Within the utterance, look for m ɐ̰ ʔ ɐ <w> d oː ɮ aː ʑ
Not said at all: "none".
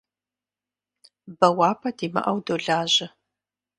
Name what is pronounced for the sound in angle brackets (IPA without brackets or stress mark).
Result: w